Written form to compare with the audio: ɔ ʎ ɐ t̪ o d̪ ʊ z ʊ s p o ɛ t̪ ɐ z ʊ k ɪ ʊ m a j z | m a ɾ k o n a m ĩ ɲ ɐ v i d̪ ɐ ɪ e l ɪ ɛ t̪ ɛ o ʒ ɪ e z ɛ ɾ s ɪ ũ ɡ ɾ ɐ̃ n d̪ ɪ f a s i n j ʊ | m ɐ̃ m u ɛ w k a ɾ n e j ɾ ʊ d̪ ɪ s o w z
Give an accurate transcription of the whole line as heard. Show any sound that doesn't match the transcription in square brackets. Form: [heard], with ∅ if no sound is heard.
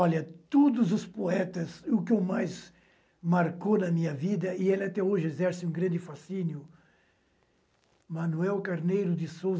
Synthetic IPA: ɔ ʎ ɐ t̪ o d̪ ʊ z ʊ s p o ɛ t̪ ɐ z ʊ k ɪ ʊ m a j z | m a ɾ k o n [ɐ] m ĩ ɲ ɐ v i d̪ ɐ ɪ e l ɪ [a] t̪ ɛ o ʒ ɪ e z ɛ ɾ s ɪ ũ ɡ ɾ ɐ̃ n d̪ ɪ f a s i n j ʊ | m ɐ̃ [n] u ɛ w k a ɾ n e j ɾ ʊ d̪ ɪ s o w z